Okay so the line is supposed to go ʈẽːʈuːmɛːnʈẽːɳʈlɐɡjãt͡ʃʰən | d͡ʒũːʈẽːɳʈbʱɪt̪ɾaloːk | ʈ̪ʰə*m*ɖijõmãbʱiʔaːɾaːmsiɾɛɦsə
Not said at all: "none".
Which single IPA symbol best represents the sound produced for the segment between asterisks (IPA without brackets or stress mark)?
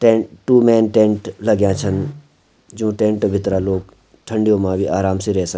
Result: ɳ